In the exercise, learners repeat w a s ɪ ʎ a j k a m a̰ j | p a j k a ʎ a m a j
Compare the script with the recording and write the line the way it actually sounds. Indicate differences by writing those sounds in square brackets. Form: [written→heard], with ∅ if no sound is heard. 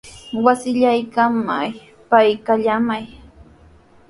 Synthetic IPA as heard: w a s ɪ ʎ a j k a m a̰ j | p a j k a ʎ a m a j